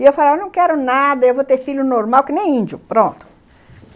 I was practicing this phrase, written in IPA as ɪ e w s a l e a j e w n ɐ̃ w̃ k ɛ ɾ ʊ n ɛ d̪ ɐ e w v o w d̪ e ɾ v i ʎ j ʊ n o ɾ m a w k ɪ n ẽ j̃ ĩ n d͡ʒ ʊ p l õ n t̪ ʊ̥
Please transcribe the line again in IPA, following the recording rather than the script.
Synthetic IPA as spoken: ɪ e w f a l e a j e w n ɐ̃ w̃ k ɛ ɾ ʊ n a d̪ ɐ e w v o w t̪ e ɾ f i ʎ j ʊ n o ɾ m a w k ɪ n ẽ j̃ ĩ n d͡ʒ ʊ p ɾ õ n t̪ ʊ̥